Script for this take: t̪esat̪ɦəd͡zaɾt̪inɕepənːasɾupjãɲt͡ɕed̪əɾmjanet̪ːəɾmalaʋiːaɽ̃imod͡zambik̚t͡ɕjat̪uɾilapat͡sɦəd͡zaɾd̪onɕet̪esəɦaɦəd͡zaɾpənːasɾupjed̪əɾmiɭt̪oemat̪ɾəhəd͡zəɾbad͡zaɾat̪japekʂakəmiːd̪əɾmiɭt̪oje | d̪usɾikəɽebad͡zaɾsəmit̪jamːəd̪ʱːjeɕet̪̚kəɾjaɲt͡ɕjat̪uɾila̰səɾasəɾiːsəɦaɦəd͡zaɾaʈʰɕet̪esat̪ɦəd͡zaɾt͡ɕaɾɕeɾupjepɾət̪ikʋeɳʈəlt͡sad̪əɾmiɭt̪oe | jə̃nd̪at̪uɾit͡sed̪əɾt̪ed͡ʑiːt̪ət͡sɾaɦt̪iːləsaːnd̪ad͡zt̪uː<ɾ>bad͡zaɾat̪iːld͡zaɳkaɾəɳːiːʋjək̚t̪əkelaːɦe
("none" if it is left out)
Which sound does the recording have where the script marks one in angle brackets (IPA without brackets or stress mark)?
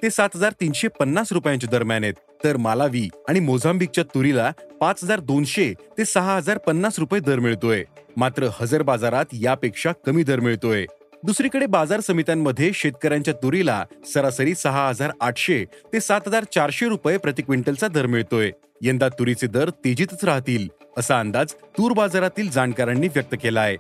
ɾ